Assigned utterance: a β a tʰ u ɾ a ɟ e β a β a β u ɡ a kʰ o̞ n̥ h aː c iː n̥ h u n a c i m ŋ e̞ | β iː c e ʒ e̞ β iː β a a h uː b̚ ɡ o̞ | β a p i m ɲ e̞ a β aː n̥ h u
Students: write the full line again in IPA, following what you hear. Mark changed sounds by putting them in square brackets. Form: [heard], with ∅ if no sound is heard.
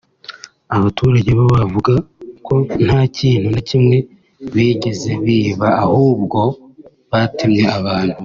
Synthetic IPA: a β a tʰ u ɾ a ɟ e β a β a [v] u ɡ a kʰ o̞ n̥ h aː c iː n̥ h u n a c i m ŋ e̞ | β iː [ɟ] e [z] e̞ β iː β a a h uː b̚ ɡ o̞ | β a [t] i m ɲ e̞ a β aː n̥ h u